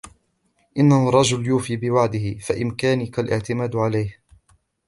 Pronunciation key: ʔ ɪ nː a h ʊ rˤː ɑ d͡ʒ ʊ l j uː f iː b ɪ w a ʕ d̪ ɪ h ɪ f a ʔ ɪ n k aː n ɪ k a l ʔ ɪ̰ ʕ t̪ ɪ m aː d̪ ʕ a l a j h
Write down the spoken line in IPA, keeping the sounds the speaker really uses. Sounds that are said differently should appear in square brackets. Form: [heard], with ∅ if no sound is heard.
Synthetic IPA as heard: ʔ ɪ nː a h ʊ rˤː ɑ d͡ʒ ʊ l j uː f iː b ɪ w a ʕ d̪ ɪ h ɪ f a ʔ ɪ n k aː n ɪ k a l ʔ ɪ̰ ʕ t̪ ɪ m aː d̪ ʕ a l a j h